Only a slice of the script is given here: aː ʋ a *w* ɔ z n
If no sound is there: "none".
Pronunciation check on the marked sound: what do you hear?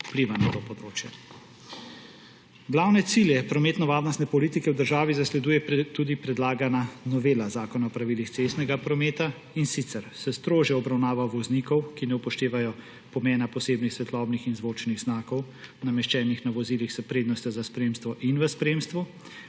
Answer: ʋ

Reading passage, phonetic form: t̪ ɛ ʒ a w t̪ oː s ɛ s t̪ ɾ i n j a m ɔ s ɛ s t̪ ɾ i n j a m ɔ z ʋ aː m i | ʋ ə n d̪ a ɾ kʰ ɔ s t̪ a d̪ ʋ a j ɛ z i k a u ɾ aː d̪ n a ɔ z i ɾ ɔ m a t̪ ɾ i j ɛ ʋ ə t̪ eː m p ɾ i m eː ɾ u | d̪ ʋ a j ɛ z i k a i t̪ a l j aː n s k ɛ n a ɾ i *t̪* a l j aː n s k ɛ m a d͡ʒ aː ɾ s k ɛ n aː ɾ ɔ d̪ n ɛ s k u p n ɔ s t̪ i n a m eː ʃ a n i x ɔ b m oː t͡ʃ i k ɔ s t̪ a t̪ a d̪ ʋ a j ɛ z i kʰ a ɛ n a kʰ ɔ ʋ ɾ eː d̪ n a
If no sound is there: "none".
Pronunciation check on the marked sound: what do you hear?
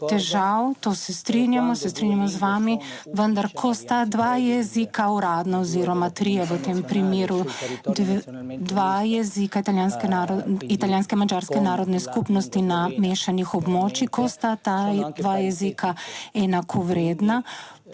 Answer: t̪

